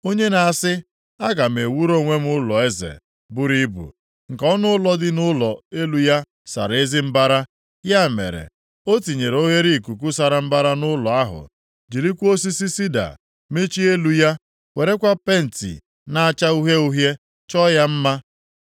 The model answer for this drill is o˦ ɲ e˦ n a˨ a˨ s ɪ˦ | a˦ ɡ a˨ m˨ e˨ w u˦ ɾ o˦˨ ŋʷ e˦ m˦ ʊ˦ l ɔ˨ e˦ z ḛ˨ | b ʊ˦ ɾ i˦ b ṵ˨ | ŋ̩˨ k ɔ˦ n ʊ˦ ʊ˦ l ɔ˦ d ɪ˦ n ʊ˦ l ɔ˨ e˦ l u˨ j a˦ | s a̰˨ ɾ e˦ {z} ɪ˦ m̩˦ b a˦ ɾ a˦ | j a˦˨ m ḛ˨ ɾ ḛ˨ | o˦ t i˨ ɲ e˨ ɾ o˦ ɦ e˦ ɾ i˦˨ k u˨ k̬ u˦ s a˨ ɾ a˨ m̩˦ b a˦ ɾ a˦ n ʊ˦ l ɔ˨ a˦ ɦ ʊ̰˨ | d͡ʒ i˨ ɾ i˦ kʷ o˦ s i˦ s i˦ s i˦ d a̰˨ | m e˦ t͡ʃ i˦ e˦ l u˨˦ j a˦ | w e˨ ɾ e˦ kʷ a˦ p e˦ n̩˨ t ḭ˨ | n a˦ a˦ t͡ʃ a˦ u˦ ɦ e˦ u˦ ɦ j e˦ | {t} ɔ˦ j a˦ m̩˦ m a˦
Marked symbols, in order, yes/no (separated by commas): yes, no